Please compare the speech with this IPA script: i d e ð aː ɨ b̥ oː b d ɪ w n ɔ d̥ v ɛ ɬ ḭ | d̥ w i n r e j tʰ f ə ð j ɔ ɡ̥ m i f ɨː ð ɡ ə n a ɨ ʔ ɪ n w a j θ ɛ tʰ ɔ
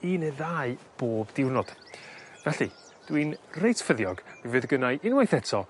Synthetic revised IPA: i n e ð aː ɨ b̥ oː b d ɪ w n ɔ d̥ v ɛ ɬ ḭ | d̥ w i n r e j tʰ f ə ð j ɔ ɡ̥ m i v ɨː ð ɡ ə n a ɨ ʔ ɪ n w a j θ ɛ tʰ ɔ